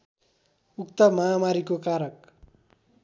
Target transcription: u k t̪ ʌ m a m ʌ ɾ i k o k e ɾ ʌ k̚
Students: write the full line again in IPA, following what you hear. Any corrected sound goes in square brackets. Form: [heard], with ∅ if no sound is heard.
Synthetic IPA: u k t̪ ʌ m a m [a] ɾ i k o k [a] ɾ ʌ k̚